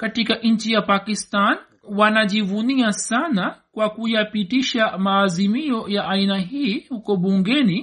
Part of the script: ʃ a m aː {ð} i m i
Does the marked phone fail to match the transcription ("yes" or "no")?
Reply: yes